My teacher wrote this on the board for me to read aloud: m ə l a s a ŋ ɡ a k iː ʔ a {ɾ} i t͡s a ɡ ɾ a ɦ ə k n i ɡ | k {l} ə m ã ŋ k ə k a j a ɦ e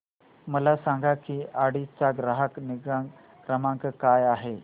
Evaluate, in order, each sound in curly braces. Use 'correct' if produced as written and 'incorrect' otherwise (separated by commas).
incorrect, incorrect